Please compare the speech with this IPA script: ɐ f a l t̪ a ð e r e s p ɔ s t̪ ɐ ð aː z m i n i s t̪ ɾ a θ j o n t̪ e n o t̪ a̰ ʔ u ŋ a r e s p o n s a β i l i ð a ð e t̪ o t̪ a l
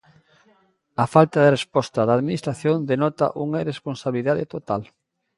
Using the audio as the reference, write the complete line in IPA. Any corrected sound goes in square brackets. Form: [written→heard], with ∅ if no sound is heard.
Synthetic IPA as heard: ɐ f a l t̪ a ð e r e s p ɔ s t̪ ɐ ð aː [z→ð] m i n i s t̪ ɾ a θ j o n [t̪→d̪] e n [o→ɔ] t̪ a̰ ʔ u ŋ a r e s p o n s a β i l i ð a ð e t̪ o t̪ a l